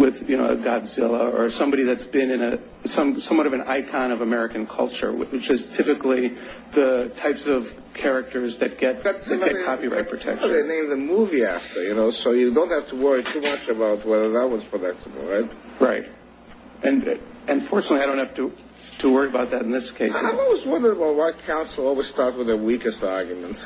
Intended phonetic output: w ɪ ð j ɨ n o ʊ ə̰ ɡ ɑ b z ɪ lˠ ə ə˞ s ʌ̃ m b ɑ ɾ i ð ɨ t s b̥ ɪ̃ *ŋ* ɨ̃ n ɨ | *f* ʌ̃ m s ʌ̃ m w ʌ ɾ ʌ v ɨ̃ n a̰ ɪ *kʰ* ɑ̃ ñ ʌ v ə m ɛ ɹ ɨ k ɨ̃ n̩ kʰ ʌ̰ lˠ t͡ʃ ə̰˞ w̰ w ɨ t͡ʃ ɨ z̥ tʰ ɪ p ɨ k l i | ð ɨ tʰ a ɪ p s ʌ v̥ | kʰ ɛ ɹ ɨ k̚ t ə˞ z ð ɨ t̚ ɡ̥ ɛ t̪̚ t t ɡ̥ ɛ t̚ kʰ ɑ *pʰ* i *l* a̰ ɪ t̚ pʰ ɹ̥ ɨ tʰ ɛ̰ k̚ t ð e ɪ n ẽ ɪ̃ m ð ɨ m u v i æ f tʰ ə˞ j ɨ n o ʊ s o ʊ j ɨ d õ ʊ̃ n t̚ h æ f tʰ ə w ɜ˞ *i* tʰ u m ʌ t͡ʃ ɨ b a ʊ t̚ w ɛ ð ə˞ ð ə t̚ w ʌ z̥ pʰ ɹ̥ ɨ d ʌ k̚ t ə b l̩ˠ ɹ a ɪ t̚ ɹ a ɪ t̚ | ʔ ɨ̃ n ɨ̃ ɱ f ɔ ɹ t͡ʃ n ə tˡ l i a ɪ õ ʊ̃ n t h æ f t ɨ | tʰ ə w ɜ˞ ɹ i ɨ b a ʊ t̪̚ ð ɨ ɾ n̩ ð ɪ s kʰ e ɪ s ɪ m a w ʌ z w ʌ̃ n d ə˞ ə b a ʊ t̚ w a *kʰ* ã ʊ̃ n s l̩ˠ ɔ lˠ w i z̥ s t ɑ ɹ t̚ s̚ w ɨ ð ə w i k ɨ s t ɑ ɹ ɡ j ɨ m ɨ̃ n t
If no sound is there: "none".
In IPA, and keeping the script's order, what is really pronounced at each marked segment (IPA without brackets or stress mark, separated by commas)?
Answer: n, s, kʰ, p, ɹ, i, kʰ